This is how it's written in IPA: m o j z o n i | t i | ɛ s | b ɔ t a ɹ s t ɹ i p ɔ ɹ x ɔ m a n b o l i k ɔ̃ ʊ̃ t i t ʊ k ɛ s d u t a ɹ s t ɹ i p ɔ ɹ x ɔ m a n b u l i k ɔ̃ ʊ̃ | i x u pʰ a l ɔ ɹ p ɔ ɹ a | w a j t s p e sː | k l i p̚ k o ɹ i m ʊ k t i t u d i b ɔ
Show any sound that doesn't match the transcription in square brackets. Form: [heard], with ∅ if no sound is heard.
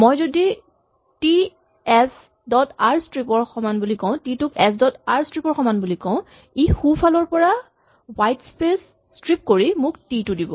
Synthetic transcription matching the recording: m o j z o [d] i | t i | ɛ s | [d] ɔ t a ɹ s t ɹ i p ɔ ɹ x ɔ m a n b [u] l i k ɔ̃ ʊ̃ t i t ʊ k ɛ s d [ɔ] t a ɹ s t ɹ i p ɔ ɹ x ɔ m a n b u l i k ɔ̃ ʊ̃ | i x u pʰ a l ɔ ɹ p ɔ ɹ a | w a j t s p e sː | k [ɹ] i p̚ k o ɹ i m ʊ k t i t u d i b ɔ